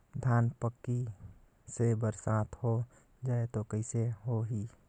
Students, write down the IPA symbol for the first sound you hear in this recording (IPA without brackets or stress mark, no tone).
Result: d̪ʱ